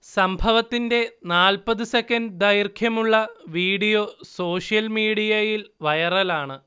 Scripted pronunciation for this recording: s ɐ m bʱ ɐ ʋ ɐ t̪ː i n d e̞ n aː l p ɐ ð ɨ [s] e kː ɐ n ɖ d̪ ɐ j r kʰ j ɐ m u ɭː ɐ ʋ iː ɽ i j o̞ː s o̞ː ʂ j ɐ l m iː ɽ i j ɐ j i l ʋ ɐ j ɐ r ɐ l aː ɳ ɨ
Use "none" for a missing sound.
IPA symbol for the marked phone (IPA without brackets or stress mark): s